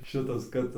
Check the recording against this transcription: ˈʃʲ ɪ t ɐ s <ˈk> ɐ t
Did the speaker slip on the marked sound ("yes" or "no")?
no